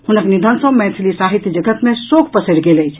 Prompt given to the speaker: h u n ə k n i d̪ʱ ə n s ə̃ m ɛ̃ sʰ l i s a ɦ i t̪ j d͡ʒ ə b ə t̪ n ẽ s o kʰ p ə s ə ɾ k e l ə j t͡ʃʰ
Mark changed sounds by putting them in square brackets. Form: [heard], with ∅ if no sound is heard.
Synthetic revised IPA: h u n ə k n i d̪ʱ ə n s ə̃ m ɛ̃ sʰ l i s a ɦ i t̪ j d͡ʒ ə [ɡ] ə t̪ [m] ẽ s o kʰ p ə s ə ɾ [ɡ] e l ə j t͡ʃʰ

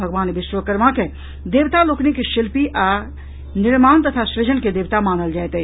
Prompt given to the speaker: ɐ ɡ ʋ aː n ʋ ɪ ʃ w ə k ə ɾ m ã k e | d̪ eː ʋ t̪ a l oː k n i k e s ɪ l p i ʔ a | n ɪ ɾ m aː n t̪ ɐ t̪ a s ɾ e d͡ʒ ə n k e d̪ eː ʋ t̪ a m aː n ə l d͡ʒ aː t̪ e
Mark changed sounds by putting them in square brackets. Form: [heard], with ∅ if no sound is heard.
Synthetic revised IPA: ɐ ɡ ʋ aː n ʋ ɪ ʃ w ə k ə ɾ m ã k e | d̪ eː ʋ t̪ a l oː k n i k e [ʃ] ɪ l p i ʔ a | n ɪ ɾ m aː n t̪ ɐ [t̪ʰ] a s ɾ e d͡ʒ ə n k e d̪ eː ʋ t̪ a m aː n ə l d͡ʒ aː t̪ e

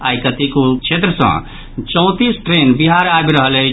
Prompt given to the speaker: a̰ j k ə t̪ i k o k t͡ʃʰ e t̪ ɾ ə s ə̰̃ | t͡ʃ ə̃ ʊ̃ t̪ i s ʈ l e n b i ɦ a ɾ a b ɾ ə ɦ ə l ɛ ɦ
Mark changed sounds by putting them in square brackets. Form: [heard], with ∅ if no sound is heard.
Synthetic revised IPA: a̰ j k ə t̪ i k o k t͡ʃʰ e t̪ ɾ ə s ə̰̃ | t͡ʃ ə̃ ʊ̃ t̪ i s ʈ [ɾ] e n b i ɦ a ɾ a b ɾ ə ɦ ə l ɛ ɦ

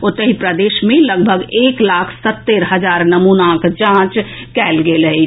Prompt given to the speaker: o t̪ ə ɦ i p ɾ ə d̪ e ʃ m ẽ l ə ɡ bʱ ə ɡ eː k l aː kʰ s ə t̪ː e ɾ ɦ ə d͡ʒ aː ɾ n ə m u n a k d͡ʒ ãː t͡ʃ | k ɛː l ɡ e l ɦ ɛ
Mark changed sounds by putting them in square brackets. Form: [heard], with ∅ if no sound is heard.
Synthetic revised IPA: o t̪ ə ɦ i p ɾ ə d̪ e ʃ m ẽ l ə ɡ bʱ ə ɡ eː k l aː kʰ s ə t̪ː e ɾ ɦ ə d͡ʒ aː ɾ n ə m u n a k d͡ʒ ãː t͡ʃ | k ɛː l ɡ e l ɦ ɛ

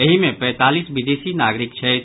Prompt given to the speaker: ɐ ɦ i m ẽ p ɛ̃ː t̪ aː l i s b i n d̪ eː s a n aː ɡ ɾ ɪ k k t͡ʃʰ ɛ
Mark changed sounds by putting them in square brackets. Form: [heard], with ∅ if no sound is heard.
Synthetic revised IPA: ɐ ɦ i m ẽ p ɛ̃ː t̪ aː l i s b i [∅] d̪ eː s [i] n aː ɡ ɾ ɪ k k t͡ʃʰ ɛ

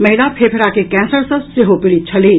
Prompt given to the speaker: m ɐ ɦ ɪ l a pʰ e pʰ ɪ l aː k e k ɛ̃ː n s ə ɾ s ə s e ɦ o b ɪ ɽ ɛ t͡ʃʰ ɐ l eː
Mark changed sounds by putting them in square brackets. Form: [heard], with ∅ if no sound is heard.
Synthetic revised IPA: m ɐ ɦ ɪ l a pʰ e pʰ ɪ [ɾ] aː k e k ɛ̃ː n s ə ɾ s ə s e ɦ o [p] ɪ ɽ [i] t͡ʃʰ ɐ l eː

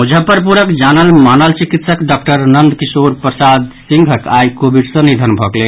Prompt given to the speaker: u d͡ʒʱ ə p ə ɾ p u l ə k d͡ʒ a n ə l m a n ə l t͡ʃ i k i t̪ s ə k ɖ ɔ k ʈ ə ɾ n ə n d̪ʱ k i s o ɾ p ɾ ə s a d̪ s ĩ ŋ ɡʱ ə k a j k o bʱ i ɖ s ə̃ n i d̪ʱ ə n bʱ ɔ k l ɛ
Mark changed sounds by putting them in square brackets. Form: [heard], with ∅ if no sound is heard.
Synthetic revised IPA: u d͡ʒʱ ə p ə ɾ p u [ɾ] ə k d͡ʒ a n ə l m a n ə l t͡ʃ i k i t̪ s ə k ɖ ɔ k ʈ ə ɾ n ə n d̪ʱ k i s o ɾ p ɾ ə s a d̪ s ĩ ŋ ɡʱ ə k a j k o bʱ i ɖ s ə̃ n i d̪ʱ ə n bʱ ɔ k l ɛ

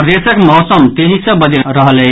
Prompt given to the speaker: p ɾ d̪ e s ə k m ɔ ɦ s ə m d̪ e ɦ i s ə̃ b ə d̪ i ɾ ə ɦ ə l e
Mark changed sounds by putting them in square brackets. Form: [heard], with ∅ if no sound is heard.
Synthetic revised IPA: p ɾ d̪ e s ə k m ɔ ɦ s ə m [t̪] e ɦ i s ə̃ b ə d̪ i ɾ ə ɦ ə l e

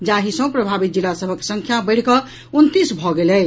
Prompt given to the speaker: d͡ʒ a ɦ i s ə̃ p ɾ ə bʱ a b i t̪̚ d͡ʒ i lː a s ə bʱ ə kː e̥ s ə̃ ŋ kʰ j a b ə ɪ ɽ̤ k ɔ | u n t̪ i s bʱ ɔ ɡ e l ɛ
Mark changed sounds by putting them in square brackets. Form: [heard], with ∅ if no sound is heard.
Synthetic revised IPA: d͡ʒ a ɦ i s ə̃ p ɾ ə bʱ a b i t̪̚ d͡ʒ i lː a s ə bʱ ə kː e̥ s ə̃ ŋ kʰ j a b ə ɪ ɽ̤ k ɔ | u n t̪ i s bʱ ɔ ɡ e l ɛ

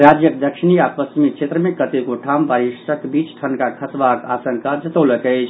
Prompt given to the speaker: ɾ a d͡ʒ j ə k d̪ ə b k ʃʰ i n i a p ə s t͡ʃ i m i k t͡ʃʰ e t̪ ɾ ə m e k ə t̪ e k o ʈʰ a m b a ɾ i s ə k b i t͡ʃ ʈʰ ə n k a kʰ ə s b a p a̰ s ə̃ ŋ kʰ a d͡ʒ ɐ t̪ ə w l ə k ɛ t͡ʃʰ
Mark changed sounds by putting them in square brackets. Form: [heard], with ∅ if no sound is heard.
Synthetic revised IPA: ɾ a d͡ʒ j ə k d̪ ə [∅] k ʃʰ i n i a p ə s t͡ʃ i m i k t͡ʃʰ e t̪ ɾ ə m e k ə t̪ e k o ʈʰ a m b a ɾ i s ə k b i t͡ʃ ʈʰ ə n k a kʰ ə s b a [k] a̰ s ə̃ ŋ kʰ a d͡ʒ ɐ t̪ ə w l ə k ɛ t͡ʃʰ

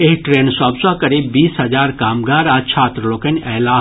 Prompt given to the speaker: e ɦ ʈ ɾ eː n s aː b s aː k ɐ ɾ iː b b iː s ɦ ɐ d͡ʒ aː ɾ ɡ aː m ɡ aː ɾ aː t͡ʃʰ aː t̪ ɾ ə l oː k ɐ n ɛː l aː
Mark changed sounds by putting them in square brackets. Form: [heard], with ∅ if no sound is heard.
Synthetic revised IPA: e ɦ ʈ ɾ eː n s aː b s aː k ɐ ɾ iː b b iː s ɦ ɐ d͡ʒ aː ɾ [k] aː m ɡ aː ɾ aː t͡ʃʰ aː t̪ ɾ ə l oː k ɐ n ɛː l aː

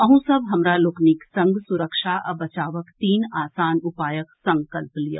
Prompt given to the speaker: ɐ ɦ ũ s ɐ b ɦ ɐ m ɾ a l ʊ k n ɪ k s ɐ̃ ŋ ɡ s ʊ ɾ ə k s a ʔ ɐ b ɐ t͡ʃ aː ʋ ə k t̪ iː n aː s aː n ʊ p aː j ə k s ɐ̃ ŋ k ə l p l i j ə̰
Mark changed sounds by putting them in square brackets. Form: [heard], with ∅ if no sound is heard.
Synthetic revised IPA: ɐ ɦ ũ s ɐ b ɦ ɐ m ɾ a l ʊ k n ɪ k s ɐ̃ ŋ ɡ s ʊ ɾ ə k [ʃ] a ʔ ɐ b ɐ t͡ʃ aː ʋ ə k t̪ iː n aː s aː n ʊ p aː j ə k s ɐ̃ ŋ k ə l p l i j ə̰

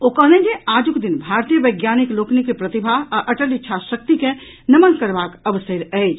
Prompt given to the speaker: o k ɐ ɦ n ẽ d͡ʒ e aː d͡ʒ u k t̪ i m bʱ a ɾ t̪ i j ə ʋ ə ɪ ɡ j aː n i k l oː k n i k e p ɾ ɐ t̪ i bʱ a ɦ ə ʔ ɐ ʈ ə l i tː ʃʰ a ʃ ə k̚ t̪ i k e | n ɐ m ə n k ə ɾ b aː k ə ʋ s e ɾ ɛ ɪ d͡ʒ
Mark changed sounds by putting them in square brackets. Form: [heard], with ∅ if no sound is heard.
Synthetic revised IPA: o k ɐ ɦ n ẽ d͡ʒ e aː d͡ʒ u k [d̪] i [n] bʱ a ɾ t̪ i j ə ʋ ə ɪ ɡ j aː n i k l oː k n i k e p ɾ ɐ t̪ i bʱ a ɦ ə ʔ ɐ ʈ ə l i tː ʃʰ a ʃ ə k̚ t̪ i k e | n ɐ m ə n k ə ɾ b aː k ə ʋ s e ɾ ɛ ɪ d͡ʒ

